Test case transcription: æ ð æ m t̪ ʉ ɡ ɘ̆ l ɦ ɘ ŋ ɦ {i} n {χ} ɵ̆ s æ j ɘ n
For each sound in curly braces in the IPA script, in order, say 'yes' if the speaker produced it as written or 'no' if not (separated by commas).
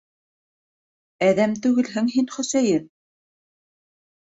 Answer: yes, yes